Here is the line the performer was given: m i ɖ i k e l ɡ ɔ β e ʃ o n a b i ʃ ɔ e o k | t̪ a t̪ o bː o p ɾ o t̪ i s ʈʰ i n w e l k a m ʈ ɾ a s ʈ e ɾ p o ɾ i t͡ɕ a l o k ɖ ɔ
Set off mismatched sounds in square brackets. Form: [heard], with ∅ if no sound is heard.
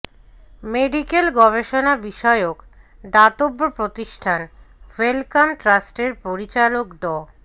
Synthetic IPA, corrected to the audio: m [e] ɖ i k e l ɡ ɔ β e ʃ o n a b i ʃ ɔ e o k | [d̪] a t̪ o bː o p ɾ o t̪ i [ʃ] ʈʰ [a] n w e l k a m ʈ ɾ a s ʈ e ɾ p o ɾ i t͡ɕ a l o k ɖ ɔ